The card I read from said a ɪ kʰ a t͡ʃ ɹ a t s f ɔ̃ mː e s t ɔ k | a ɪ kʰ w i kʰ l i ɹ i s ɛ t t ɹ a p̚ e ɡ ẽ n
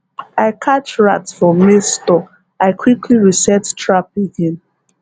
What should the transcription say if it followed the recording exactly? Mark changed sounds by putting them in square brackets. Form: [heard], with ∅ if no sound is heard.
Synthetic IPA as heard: a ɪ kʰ a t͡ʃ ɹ a t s f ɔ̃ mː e s t ɔ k | a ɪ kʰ w i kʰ l i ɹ i s ɛ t t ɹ a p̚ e ɡ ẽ n